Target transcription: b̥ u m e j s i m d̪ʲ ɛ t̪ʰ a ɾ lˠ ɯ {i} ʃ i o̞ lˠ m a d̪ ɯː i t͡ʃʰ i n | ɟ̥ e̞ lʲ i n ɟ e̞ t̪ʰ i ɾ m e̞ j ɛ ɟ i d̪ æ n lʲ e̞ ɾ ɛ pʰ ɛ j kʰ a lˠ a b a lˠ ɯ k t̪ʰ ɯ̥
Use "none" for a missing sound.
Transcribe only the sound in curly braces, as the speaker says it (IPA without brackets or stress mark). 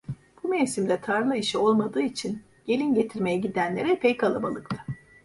i